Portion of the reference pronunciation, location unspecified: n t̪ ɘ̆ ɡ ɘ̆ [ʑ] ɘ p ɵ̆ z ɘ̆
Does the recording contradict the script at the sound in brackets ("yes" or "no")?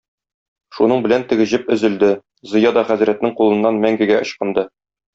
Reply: no